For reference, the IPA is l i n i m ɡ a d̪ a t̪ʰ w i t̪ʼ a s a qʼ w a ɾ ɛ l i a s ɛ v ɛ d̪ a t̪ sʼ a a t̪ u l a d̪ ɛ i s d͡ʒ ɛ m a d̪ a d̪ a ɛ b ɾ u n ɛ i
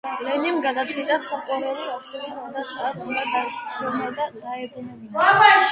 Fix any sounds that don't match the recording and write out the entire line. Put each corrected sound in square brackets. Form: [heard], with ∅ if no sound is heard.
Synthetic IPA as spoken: l [ɛ] n i m ɡ a d̪ a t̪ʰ w i t̪ʼ a s a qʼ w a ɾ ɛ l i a s ɛ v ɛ d̪ a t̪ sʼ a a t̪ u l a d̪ [a] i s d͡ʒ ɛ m a d̪ a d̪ a ɛ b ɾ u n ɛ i